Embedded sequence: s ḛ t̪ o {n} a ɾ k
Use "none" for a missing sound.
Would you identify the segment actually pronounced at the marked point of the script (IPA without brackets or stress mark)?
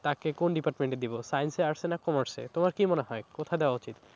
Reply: m